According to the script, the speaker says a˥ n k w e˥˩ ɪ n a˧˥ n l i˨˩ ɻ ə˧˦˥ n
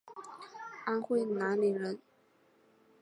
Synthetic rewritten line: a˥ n x w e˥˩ ɪ n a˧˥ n l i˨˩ ɻ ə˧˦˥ n